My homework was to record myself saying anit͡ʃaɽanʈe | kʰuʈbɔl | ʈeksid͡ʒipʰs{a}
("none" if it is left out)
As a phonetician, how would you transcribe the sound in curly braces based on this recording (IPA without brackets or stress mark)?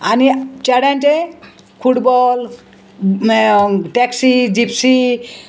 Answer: i